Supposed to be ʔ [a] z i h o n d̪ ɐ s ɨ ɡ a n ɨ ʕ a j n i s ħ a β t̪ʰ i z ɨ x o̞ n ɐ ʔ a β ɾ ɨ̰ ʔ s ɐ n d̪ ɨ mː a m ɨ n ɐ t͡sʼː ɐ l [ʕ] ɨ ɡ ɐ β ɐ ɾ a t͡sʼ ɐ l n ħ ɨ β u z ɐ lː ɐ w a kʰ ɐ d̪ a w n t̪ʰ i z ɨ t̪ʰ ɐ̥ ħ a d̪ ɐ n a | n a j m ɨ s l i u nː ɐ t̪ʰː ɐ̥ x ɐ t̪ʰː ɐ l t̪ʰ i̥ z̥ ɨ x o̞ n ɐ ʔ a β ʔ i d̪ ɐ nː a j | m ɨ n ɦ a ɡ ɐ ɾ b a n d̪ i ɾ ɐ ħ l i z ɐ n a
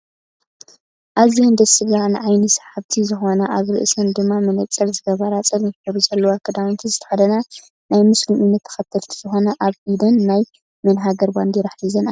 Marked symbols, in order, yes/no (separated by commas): yes, no